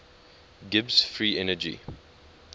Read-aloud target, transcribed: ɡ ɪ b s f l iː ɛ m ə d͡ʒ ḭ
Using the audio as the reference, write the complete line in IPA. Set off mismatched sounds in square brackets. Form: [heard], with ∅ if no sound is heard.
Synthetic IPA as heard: ɡ ɪ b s f [ɹ] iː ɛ [n] ə d͡ʒ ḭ

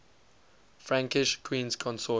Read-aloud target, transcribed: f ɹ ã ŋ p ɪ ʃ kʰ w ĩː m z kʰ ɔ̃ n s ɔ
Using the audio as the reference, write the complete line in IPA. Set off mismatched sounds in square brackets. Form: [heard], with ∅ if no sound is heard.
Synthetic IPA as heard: f ɹ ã ŋ [k] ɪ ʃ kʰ w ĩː [n] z kʰ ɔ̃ n s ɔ

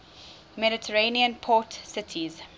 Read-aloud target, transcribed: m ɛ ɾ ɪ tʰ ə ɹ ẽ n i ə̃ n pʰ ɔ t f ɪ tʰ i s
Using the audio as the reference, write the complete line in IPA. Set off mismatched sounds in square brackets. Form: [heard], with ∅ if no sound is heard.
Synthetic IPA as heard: m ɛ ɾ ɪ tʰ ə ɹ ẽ n i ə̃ n pʰ ɔ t [s] ɪ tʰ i [z]

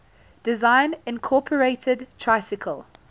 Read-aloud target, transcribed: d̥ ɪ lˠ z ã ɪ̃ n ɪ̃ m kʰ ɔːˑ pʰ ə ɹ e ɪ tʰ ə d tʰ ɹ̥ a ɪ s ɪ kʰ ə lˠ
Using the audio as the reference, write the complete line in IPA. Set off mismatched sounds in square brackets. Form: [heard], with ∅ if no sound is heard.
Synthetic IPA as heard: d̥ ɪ [∅] z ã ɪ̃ n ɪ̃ [n] kʰ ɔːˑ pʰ ə ɹ e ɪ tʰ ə d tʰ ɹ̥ a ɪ s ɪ kʰ ə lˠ

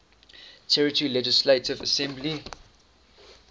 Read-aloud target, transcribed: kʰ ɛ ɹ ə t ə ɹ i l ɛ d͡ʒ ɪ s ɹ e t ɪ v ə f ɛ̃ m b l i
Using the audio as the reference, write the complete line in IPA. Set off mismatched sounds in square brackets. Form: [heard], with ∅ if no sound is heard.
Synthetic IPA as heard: [tʰ] ɛ ɹ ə t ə ɹ i l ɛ d͡ʒ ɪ s [l] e t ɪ v ə [s] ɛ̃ m b l i

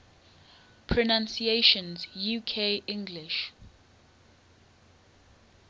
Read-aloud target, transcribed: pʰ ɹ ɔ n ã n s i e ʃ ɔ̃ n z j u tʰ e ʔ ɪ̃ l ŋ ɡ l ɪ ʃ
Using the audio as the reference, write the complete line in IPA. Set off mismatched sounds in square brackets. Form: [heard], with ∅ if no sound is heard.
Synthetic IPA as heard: pʰ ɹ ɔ n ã n s i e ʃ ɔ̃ n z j u [kʰ] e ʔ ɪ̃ [∅] ŋ ɡ l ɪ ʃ

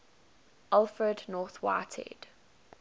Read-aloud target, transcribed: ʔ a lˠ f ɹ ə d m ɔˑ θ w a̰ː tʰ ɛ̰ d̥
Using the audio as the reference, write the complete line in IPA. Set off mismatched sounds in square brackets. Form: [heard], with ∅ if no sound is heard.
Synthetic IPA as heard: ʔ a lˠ f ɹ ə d [n] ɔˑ θ w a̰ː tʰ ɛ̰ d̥

